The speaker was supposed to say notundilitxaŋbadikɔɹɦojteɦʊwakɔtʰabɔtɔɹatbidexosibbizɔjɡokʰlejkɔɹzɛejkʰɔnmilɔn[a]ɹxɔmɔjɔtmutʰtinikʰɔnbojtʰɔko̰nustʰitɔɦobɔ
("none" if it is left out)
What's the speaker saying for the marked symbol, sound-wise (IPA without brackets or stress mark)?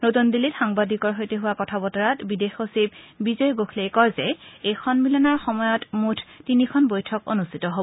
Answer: a